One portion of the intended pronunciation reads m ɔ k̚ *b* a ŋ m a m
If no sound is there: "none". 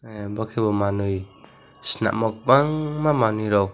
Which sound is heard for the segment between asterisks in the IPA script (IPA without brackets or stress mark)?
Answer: b